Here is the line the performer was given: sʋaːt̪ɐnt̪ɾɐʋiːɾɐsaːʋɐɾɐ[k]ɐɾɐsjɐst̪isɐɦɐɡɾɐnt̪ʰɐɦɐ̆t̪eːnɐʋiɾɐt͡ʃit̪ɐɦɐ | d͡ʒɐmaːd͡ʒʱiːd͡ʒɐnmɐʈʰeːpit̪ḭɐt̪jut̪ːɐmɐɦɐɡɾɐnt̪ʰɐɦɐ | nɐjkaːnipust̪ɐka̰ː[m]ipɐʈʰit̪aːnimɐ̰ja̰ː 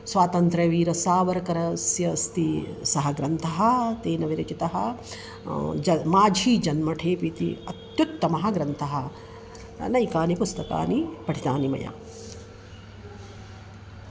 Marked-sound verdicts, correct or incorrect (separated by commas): correct, incorrect